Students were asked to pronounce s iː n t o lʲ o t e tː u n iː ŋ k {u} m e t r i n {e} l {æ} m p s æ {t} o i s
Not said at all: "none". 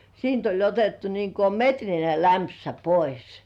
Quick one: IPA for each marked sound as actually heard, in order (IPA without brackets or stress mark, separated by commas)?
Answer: o, e, æ, p